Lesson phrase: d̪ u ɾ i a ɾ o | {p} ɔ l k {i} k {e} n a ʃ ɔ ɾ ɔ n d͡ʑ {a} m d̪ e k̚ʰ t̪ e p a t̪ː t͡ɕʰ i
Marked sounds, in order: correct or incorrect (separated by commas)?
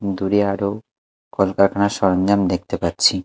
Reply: incorrect, incorrect, incorrect, correct